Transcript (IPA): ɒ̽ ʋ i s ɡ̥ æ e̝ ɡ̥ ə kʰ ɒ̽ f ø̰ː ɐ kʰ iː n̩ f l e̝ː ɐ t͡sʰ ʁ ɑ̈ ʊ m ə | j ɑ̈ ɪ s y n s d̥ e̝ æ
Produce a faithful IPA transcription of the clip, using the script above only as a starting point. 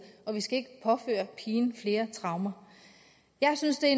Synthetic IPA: ɒ̽ ʋ i s ɡ̥ æ e̝ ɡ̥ ə pʰ ɒ̽ f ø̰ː ɐ pʰ iː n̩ f l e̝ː ɐ t͡sʰ ʁ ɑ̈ ʊ m ɐ | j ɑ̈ ɪ s y n s d̥ e̝ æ